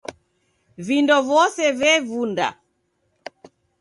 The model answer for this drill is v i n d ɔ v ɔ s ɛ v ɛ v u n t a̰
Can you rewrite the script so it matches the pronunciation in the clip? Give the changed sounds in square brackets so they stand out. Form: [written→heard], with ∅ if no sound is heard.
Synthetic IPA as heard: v i n d ɔ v ɔ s ɛ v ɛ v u n [t→d] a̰

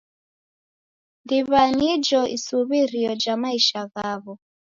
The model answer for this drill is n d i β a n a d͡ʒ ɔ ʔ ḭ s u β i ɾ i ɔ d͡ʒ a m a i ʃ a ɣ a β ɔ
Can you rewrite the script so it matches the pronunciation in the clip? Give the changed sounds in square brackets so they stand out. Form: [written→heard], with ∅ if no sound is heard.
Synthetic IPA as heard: n d i β a n [a→i] d͡ʒ ɔ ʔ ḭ s u β i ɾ i ɔ d͡ʒ a m a i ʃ a ɣ a β ɔ

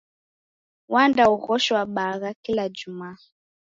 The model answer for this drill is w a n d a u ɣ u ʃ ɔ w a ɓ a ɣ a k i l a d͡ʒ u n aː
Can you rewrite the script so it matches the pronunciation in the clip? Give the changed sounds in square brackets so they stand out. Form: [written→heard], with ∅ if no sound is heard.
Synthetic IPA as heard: w a n d a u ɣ [u→ɔ] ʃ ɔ w a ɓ a ɣ a k i l a d͡ʒ u [n→m] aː

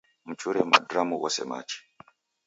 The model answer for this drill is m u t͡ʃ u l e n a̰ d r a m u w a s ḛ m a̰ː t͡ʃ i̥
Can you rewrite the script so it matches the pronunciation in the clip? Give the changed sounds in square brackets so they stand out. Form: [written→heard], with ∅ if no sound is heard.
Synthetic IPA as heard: m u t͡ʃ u [l→ɾ] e [n→m] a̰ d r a m u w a s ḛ m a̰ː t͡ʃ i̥

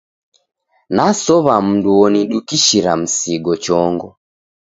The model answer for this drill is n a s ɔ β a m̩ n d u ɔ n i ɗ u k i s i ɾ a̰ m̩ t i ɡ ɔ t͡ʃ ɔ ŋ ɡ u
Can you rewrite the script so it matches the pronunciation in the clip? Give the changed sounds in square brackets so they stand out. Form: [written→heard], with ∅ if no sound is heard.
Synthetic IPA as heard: n a s ɔ β a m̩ n d u ɔ n i ɗ u k i [s→ʃ] i ɾ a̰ m̩ [t→s] i ɡ ɔ t͡ʃ ɔ ŋ ɡ [u→ɔ]

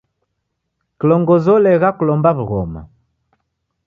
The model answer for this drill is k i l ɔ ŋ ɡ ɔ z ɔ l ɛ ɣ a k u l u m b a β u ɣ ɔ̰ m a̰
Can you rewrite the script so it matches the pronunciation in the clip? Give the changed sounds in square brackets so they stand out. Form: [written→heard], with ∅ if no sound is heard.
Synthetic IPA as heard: k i l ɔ ŋ ɡ ɔ z ɔ l ɛ ɣ a k u l [u→ɔ] m b a β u ɣ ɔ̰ m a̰

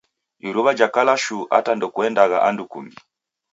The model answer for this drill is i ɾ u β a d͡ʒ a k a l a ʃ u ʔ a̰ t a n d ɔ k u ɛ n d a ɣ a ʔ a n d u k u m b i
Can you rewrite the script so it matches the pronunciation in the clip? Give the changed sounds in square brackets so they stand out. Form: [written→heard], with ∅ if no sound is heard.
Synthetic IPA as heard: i ɾ u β a d͡ʒ a k a l a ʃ u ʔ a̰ t a n d ɔ k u ɛ n d a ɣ a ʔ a n d u k u m b i

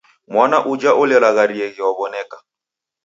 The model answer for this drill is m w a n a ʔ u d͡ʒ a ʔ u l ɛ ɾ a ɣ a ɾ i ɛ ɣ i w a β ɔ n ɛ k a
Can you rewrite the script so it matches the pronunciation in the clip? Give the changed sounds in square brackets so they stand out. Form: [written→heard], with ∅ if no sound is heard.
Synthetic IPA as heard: m w a n a ʔ u d͡ʒ a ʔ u l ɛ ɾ a ɣ a ɾ i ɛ ɣ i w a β ɔ n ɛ k a

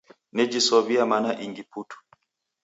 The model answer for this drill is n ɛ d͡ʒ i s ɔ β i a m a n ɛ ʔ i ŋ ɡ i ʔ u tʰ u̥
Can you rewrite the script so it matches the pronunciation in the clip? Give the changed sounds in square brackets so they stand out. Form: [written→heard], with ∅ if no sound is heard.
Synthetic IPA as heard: n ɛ d͡ʒ i s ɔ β i a m a n [ɛ→a] ʔ i ŋ ɡ i [ʔ→p] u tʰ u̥

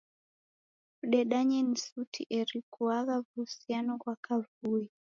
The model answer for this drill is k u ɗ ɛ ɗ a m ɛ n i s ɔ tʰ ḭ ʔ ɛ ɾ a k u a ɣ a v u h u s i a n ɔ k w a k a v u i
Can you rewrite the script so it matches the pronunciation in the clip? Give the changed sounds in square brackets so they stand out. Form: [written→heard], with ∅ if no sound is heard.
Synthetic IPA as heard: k u ɗ ɛ ɗ a [m→ɲ] ɛ n i s [ɔ→u] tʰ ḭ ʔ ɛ ɾ [a→i] k u a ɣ a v u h u s i a n ɔ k w a k a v u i

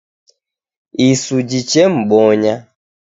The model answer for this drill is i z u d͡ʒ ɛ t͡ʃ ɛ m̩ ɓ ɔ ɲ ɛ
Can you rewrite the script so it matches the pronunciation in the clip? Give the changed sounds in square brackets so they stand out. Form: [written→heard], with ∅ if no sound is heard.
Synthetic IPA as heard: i [z→s] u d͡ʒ [ɛ→i] t͡ʃ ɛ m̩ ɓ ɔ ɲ [ɛ→a]

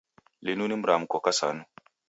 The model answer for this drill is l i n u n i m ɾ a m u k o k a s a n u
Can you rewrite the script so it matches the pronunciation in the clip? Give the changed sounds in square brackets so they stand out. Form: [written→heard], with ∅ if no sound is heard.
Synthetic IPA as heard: l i n u n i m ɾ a m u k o k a s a n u

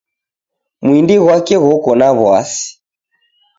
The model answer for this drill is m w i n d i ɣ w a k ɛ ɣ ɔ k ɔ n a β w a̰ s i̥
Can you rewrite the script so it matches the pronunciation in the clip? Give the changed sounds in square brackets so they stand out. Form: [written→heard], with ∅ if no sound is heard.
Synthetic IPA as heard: m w i n d i ɣ w a k ɛ ɣ ɔ k ɔ n a β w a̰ s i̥

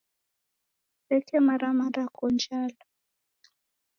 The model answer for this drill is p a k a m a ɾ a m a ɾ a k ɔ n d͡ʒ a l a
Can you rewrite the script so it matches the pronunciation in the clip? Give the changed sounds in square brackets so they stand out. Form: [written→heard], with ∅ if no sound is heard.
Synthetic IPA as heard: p [a→ɛ] k [a→ɛ] m a ɾ a m a ɾ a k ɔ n d͡ʒ a l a

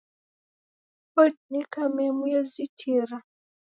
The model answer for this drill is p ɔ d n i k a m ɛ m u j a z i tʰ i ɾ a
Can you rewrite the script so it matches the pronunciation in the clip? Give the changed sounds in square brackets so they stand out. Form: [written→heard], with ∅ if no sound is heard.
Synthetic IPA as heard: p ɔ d n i k a m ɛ m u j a z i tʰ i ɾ a

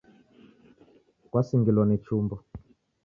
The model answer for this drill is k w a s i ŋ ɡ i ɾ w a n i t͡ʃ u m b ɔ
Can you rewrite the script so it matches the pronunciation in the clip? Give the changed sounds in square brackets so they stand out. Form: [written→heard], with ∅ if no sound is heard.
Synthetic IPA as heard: k w a s i ŋ ɡ i [ɾ→l] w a n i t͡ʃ u m b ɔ

